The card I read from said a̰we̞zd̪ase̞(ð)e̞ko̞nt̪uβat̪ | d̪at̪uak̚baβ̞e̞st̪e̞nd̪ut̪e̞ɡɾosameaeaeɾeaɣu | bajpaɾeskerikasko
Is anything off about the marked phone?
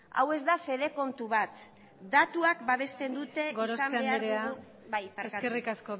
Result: no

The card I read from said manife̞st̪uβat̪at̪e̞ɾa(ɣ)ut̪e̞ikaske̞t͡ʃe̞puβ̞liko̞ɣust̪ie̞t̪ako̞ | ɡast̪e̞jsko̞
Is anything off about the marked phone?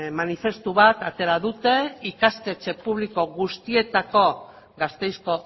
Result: yes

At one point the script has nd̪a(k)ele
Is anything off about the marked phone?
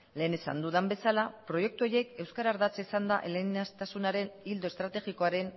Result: yes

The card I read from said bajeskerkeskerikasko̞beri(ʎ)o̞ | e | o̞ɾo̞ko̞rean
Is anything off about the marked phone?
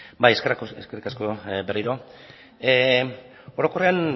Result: yes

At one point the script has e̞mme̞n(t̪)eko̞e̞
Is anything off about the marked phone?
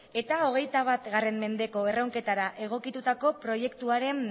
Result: yes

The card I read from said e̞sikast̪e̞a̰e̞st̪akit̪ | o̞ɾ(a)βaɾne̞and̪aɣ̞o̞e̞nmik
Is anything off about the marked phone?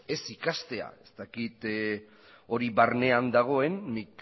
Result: yes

